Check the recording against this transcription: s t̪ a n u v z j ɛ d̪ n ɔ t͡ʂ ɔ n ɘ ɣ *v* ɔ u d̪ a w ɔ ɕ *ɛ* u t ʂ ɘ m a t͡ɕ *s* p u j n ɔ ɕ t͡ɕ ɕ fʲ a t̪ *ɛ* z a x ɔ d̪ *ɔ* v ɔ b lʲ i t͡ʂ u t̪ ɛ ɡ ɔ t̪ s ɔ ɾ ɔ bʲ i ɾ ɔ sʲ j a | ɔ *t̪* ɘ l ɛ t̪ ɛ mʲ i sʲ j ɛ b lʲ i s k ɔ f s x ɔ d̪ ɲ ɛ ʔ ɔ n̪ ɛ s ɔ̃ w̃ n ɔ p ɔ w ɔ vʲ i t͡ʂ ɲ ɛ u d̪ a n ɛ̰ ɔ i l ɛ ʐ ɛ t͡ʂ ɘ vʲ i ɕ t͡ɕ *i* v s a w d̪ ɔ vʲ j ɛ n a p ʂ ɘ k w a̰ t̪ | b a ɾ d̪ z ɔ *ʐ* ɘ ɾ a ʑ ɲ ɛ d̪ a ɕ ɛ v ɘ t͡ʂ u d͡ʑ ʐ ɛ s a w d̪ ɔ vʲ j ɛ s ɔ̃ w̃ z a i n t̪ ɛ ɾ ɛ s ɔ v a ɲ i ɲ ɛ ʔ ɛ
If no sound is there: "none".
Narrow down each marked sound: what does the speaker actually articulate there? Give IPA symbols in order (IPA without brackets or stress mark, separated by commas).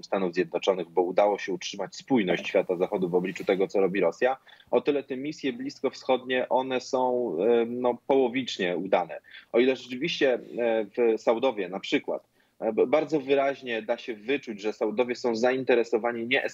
b, ɛ, s, a, u, t̪, ɛ, v